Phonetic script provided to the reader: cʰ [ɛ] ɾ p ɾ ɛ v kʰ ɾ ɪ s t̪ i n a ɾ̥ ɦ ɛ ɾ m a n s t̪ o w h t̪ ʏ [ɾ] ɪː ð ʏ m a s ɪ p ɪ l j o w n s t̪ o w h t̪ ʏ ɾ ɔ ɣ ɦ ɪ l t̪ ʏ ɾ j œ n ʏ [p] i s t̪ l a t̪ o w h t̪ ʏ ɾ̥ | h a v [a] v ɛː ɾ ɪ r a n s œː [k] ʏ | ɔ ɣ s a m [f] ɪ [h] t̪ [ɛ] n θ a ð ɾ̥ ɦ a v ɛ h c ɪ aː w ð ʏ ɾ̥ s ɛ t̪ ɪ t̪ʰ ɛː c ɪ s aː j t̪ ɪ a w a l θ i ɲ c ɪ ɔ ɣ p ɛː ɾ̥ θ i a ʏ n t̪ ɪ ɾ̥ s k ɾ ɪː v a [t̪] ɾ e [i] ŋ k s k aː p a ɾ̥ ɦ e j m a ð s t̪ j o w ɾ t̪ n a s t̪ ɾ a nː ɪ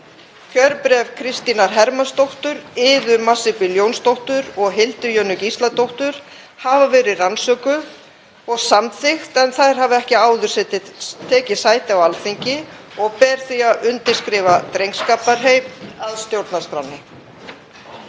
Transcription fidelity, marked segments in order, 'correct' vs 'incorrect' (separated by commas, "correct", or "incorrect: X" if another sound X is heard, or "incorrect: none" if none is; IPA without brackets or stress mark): incorrect: œ, correct, incorrect: c, correct, correct, incorrect: θ, incorrect: x, correct, correct, incorrect: j